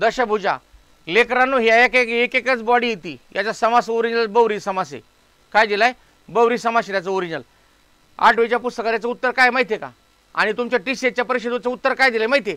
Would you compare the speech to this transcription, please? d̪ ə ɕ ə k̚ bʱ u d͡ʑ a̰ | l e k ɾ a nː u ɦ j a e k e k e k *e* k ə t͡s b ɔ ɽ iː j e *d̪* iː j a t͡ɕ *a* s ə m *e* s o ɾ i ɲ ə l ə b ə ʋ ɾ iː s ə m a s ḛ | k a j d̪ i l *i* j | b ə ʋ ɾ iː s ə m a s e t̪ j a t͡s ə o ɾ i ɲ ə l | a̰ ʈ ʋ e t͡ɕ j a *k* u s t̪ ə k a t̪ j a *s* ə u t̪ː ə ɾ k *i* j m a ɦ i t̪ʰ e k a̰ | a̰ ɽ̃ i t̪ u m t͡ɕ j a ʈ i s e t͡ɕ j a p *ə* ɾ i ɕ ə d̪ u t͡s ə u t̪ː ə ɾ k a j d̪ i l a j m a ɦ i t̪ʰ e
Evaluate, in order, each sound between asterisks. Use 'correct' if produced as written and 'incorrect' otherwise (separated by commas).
correct, incorrect, correct, incorrect, incorrect, incorrect, incorrect, incorrect, correct